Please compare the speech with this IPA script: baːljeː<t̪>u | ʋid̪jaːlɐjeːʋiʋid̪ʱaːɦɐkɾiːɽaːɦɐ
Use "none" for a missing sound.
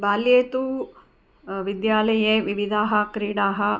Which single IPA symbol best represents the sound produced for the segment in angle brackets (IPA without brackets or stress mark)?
t̪